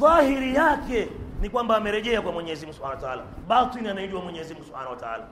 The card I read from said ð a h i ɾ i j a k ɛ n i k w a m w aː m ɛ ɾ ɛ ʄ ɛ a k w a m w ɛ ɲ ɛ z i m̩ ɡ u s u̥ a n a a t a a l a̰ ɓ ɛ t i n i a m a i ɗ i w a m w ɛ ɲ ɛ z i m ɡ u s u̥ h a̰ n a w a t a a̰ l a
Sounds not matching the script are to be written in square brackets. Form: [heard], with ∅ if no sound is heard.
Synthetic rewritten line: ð a h i ɾ i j a k ɛ n i k w a m [b] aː m ɛ ɾ ɛ ʄ ɛ a k w a m w ɛ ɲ ɛ z i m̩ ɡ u s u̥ a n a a t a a l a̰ ɓ [a] t i n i a [n] a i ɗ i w a m w ɛ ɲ ɛ z i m ɡ u s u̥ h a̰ n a w a t a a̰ l a